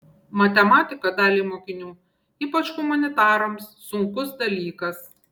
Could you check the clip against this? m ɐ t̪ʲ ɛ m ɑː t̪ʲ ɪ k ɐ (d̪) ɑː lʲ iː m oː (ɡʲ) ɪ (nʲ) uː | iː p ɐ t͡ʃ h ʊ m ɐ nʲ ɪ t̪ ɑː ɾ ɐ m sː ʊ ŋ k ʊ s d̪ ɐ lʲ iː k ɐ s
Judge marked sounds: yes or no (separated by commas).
yes, no, yes